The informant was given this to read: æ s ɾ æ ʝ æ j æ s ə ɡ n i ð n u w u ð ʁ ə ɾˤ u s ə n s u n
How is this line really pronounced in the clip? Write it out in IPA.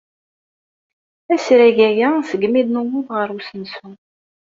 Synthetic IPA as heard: æ s ɾ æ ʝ æ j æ s ə ɡ m i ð n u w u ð ʁ ə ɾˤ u s ə n s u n